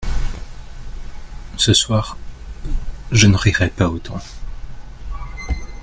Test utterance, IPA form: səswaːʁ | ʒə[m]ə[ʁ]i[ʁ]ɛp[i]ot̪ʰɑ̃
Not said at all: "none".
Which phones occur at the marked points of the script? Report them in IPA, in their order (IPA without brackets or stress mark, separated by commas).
n, ʁ, ʁ, a